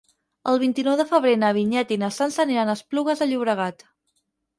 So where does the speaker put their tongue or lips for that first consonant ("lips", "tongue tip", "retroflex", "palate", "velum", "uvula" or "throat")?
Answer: tongue tip